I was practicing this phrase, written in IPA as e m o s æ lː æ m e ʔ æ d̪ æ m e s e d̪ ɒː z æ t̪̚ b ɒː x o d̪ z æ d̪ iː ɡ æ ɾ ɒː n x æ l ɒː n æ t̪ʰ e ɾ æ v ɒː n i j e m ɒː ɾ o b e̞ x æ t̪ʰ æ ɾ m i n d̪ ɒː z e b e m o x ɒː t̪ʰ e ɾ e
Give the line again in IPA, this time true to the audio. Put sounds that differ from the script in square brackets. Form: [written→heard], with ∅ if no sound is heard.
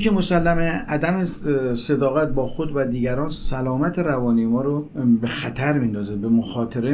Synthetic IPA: e m o s æ lː æ m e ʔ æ d̪ æ m e s e d̪ ɒː [z→ɣ] æ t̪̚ b ɒː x o d̪ [z→v] æ d̪ iː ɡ æ ɾ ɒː n [x→s] æ l ɒː [n→m] æ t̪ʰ e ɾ æ v ɒː n i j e m ɒː ɾ o b e̞ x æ t̪ʰ æ ɾ m i n d̪ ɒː z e b e m o x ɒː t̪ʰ e ɾ e